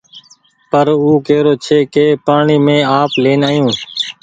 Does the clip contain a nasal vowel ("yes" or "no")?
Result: yes